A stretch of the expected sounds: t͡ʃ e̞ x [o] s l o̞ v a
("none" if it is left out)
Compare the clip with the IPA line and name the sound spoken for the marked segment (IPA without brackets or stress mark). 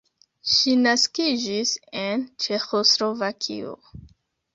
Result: o